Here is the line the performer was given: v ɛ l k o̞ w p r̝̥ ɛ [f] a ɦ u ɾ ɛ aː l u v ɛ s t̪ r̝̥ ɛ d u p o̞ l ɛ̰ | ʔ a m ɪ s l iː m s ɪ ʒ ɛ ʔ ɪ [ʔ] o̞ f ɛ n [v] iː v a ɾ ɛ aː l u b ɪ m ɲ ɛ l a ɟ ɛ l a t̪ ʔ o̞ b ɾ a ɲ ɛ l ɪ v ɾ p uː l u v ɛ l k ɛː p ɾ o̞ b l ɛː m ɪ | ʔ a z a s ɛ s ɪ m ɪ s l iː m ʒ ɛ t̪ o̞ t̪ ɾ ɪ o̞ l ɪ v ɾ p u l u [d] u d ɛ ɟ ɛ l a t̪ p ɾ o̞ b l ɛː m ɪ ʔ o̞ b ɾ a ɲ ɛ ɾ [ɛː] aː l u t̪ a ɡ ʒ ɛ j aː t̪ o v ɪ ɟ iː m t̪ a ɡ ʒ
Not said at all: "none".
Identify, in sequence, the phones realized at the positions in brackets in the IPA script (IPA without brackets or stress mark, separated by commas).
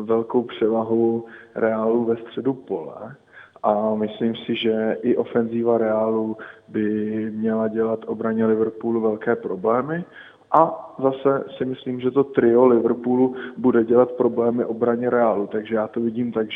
v, ʔ, z, b, ɛ